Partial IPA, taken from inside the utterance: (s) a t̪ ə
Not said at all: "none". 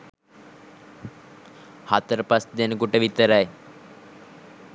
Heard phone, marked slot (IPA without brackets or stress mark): h